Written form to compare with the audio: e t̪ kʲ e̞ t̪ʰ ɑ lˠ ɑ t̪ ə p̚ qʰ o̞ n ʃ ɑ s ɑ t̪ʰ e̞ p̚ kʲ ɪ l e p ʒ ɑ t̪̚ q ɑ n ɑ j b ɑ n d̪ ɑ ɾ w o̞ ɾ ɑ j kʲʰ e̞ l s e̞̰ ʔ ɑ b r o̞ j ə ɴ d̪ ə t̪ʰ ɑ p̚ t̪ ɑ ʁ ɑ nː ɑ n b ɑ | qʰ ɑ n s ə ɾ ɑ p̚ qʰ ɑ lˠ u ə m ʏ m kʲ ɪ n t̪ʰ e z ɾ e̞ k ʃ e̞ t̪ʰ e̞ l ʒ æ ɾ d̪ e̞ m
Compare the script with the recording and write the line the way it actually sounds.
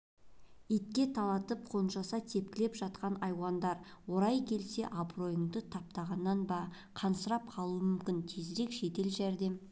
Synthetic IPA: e t̪ kʲ e̞ t̪ʰ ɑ lˠ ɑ t̪ ə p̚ qʰ o̞ n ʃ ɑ s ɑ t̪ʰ e̞ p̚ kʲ ɪ l e p ʒ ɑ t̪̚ q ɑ n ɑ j w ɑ n d̪ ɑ ɾ w o̞ ɾ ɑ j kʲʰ e̞ l s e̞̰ ʔ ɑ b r o̞ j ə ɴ d̪ ə t̪ʰ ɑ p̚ t̪ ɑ ʁ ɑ nː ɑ n b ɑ | qʰ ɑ n s ə ɾ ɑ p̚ qʰ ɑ lˠ u ə m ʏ m kʲ ɪ n t̪ʰ e z ɾ e̞ k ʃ e̞ t̪ e̞ l ʒ æ ɾ d̪ e̞ m